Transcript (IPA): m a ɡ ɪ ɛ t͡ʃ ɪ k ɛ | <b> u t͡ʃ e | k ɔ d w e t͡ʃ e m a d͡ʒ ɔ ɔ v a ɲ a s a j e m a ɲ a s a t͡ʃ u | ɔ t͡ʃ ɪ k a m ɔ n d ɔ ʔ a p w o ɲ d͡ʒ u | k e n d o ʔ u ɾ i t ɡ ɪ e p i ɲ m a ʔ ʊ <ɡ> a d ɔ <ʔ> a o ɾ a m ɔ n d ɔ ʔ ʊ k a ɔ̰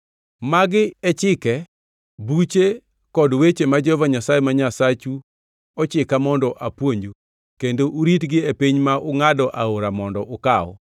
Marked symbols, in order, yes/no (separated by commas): yes, no, yes